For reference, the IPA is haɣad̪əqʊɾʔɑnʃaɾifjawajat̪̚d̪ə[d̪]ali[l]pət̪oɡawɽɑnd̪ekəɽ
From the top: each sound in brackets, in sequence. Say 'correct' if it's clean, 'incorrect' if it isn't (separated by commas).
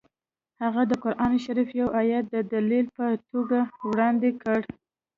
correct, correct